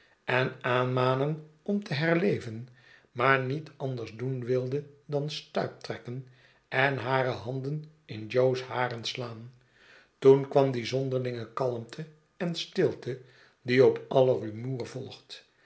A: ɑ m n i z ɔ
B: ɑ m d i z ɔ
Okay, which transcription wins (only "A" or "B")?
B